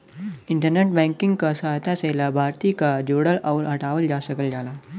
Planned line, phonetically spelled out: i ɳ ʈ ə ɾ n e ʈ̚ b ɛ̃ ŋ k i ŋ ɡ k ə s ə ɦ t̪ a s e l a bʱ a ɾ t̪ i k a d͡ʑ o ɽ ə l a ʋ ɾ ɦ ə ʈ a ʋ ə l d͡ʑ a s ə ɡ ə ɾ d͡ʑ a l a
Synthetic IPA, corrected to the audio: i ɳ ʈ ə ɾ n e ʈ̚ b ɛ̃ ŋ k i ŋ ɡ k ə s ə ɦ t̪ a s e l a bʱ a ɾ t̪ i k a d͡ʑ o ɽ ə l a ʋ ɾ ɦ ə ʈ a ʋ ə l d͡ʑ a s ə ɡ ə l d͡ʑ a l a